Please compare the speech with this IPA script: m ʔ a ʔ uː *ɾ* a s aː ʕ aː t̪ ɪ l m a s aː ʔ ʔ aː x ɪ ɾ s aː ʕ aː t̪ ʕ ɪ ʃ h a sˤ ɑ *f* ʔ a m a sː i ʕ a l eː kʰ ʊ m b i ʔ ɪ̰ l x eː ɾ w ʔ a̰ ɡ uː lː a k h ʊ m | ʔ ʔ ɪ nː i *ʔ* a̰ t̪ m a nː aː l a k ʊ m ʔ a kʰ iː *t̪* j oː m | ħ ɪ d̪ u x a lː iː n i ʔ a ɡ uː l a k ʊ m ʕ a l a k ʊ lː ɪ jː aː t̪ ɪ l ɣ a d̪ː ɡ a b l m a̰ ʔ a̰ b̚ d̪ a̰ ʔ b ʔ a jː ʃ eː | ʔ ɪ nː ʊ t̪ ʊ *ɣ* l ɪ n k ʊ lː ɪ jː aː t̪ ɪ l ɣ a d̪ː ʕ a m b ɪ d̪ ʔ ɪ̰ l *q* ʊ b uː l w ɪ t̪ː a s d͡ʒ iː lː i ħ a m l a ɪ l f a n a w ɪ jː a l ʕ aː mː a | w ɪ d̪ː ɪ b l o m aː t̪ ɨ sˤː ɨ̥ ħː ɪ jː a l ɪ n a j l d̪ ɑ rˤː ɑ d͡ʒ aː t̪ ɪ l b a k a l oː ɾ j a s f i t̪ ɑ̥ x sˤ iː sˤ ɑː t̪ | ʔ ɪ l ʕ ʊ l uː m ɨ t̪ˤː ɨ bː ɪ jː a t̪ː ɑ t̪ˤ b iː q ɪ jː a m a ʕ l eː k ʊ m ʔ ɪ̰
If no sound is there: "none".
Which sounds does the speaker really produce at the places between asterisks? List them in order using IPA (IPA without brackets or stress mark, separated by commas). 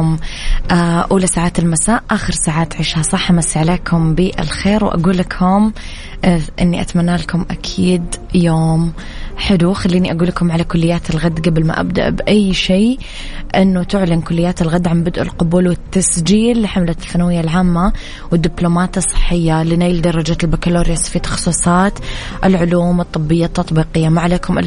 l, ħ, ʔ, d̪, ʕ, q